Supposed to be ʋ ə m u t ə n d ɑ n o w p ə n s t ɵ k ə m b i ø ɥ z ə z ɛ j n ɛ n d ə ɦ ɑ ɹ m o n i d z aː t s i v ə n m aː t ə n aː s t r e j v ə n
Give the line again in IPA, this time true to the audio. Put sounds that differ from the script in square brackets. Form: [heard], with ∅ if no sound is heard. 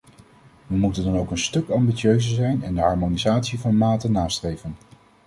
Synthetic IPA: ʋ ə m u t ə n d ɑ n o w [k] ə n s t ɵ k [ɑ] m b i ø ɥ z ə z ɛ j n ɛ n d ə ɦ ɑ ɹ m o n i [∅] z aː t s i v [ɑ] n m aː t ə n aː s t r e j v ə n